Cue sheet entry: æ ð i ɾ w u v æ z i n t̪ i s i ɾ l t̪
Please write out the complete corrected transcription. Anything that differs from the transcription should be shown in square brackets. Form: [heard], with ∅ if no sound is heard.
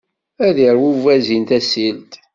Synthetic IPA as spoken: æ ð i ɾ w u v æ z i n t̪ [æ] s i [∅] l t̪